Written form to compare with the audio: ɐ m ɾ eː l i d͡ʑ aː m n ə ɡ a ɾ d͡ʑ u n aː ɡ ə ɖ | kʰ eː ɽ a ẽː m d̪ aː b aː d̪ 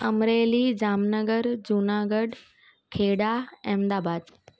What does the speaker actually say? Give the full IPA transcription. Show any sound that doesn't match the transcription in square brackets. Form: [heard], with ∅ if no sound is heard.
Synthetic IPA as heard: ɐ m ɾ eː l i d͡ʑ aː m n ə ɡ [ə] ɾ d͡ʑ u n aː ɡ ə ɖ | kʰ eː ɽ a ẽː m d̪ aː b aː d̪